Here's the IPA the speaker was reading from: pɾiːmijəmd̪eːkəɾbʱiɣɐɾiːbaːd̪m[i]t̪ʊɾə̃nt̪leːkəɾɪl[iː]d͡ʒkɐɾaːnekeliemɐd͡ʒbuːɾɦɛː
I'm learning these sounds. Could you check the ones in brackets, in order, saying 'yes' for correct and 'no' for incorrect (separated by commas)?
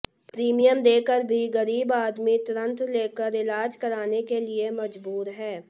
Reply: yes, no